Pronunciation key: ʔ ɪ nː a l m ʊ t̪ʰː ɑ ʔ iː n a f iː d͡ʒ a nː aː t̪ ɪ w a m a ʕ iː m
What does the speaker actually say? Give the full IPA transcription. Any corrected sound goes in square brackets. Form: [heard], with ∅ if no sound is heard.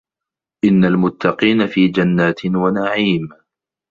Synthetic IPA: ʔ ɪ nː a l m ʊ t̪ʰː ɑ [q] iː n a f iː d͡ʒ a nː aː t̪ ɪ w a [n] a ʕ iː m

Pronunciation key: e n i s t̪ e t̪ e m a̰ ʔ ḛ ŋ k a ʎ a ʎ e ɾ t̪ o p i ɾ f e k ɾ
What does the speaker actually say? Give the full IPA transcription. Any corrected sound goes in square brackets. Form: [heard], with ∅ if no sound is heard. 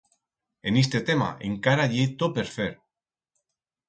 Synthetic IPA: e n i s t̪ e t̪ e m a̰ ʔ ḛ ŋ k a [ɾ] a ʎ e [∅] t̪ o p [e] ɾ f e [∅] ɾ

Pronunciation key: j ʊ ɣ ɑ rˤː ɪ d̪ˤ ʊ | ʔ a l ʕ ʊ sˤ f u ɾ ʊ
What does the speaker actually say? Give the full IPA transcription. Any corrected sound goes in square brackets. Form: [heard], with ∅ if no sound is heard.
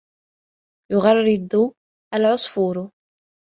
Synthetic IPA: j ʊ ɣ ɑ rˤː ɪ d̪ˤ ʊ | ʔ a l ʕ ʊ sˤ f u ɾ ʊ

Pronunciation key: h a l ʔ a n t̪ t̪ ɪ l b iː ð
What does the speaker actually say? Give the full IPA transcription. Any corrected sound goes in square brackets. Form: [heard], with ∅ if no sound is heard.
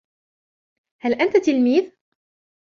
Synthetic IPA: h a l ʔ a n t̪ t̪ ɪ l [m] iː ð

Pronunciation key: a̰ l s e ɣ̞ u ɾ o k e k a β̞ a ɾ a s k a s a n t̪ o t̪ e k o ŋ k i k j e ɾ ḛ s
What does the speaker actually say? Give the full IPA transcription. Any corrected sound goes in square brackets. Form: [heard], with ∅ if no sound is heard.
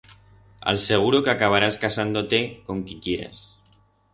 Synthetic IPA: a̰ l s e ɣ̞ u ɾ o k [a] k a β̞ a ɾ a s k a s a n [d̪] o t̪ e k o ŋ k i k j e ɾ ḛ s

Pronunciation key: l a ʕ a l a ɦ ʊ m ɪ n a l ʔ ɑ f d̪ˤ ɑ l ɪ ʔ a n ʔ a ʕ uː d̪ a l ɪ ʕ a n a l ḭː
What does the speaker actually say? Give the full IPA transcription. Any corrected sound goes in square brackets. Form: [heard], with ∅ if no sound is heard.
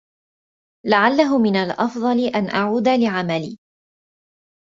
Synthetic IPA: l a ʕ a [lː] a ɦ ʊ m ɪ n a l ʔ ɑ f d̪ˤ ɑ l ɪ ʔ a n ʔ a ʕ uː d̪ a l ɪ ʕ a [m] a l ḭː

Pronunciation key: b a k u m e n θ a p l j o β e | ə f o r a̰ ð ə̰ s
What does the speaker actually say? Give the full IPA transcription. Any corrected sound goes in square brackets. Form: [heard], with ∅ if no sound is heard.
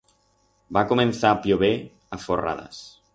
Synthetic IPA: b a k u m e n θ a p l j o β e | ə f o r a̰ ð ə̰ s

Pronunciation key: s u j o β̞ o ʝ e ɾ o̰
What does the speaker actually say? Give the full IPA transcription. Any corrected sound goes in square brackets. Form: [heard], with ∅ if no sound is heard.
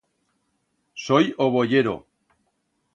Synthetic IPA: s [o] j o β̞ o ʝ e ɾ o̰

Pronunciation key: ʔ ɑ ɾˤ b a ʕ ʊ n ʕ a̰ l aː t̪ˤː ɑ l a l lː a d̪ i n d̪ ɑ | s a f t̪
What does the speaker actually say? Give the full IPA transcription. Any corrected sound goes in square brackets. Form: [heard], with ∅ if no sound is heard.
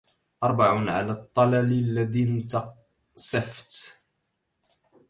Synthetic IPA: ʔ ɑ ɾˤ b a ʕ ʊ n ʕ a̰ l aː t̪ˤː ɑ l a l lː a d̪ i n [t̪] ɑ | s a f t̪

